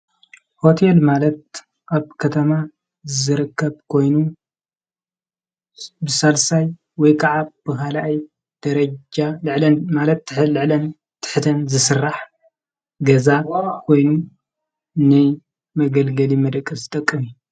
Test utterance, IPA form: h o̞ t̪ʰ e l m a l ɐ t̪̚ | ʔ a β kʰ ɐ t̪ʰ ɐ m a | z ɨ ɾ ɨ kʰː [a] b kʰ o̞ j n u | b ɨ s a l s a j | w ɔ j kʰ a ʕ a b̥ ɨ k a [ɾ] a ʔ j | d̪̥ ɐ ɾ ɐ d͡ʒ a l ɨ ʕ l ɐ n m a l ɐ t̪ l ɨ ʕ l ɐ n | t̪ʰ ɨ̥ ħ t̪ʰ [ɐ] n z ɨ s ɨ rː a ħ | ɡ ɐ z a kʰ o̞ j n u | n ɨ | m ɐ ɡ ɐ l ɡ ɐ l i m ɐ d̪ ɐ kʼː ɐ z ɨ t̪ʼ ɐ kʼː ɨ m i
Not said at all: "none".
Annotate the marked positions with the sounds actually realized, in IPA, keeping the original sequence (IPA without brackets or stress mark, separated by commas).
ɐ, l, ɐ